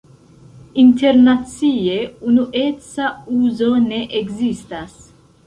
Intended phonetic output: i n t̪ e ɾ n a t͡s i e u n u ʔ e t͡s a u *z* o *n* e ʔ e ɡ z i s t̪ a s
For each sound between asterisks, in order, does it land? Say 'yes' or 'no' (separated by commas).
yes, yes